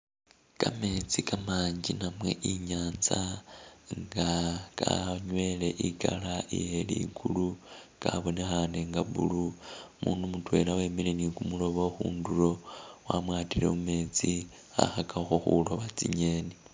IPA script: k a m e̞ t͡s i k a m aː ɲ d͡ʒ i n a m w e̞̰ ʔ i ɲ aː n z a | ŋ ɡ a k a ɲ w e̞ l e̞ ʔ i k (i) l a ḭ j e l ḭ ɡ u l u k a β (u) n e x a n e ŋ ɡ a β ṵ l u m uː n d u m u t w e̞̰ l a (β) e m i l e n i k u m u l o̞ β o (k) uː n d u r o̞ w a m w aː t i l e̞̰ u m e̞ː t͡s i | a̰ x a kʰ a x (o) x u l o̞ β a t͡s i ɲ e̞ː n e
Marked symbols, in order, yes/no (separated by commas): no, no, no, no, yes